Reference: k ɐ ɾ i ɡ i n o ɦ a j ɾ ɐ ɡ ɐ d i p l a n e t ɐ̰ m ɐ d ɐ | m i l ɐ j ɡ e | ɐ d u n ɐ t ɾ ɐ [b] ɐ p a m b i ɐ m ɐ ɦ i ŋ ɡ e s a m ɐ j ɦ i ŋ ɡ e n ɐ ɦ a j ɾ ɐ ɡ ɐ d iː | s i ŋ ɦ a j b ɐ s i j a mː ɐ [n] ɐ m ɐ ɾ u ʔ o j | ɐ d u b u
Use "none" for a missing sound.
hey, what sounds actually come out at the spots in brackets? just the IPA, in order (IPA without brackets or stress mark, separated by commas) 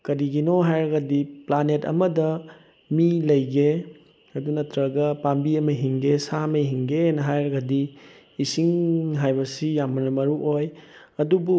ɡ, n